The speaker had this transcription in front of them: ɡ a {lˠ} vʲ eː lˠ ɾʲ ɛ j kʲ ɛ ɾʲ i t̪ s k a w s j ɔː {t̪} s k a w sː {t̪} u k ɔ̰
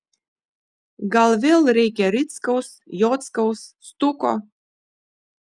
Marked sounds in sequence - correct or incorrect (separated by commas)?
correct, correct, correct